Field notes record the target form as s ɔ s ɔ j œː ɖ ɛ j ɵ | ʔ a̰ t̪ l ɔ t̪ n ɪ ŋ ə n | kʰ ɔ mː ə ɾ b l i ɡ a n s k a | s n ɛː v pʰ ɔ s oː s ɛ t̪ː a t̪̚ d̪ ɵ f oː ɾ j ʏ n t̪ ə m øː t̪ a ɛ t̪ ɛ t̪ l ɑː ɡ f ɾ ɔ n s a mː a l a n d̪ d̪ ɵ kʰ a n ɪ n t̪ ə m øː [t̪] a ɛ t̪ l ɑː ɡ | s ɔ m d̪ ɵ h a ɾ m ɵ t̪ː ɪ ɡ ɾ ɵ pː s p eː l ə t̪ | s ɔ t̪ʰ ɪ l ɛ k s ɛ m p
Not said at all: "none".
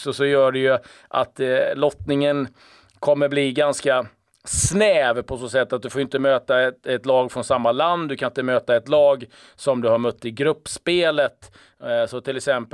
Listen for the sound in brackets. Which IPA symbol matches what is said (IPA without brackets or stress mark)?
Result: t̪